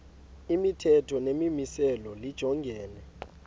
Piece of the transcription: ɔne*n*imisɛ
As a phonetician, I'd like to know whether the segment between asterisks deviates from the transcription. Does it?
yes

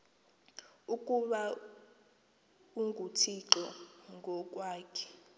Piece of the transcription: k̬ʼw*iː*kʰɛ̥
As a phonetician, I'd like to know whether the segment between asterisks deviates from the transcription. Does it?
yes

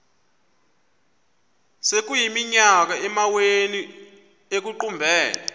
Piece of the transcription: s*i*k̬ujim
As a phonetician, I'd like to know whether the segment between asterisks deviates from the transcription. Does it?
yes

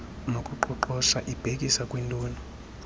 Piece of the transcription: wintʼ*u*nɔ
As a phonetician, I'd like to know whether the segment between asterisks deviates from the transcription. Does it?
yes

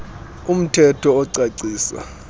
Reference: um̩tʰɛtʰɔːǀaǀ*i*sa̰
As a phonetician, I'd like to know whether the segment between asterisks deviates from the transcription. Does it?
yes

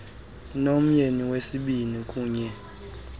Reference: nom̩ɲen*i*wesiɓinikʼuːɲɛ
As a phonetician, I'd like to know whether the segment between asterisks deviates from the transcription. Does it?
no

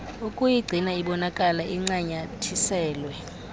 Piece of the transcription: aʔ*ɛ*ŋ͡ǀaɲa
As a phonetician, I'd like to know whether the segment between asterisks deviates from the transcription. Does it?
yes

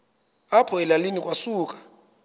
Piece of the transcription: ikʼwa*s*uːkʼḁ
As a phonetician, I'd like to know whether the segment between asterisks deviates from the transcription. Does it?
no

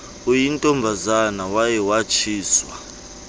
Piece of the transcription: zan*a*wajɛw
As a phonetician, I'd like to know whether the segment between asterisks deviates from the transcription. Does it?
no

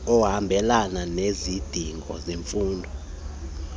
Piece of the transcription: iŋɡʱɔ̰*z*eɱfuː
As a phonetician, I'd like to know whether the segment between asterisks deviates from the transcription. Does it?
no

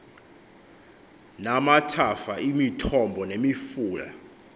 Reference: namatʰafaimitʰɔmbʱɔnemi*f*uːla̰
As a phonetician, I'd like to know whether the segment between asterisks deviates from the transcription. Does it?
no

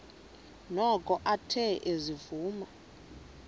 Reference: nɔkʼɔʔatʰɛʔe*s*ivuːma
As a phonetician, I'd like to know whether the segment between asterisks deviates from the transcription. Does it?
yes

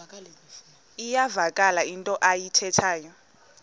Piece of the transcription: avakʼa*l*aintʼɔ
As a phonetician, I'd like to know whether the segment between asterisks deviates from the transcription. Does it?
no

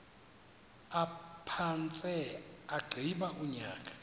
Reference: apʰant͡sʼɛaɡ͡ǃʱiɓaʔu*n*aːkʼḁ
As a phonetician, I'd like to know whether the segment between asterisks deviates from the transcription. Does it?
yes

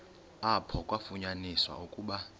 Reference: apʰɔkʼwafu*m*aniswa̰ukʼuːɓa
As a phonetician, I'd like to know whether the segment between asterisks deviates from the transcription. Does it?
yes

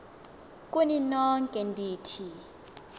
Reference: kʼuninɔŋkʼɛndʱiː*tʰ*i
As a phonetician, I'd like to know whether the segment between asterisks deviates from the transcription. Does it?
no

